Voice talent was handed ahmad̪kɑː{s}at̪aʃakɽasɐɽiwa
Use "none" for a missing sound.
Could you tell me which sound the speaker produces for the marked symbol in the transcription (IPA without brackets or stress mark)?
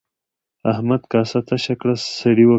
s